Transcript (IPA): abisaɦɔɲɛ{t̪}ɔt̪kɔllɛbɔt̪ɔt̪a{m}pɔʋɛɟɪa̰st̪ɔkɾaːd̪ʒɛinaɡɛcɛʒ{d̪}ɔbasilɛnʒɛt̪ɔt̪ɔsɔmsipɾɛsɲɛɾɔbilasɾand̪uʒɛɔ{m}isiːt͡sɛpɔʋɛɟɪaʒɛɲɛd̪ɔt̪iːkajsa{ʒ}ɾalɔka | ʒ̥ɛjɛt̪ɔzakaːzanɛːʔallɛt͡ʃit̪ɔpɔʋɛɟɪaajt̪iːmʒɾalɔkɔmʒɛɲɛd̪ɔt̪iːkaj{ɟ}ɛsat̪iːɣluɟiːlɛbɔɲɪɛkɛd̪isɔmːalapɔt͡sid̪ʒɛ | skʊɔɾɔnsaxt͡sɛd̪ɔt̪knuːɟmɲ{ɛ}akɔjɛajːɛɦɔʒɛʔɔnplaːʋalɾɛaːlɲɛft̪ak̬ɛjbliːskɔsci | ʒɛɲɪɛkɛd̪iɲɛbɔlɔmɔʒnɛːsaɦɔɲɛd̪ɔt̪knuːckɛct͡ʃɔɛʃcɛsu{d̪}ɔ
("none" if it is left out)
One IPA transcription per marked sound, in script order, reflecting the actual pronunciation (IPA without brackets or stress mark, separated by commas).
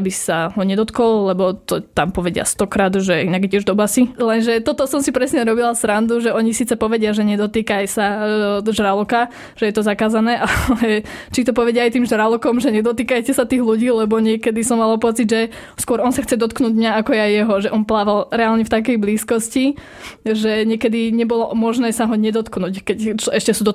d̪, m, d̪, ɲ, ʒ, c, a, d̪